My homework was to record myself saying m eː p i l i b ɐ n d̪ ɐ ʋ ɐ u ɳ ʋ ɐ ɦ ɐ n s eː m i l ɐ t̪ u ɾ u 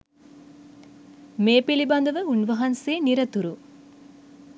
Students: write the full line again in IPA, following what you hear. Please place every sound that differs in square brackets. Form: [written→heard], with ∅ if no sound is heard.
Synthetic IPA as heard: m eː p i l i b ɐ n d̪ ɐ ʋ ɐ u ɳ ʋ ɐ ɦ ɐ n s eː [m→n] i [l→ɾ] ɐ t̪ u ɾ u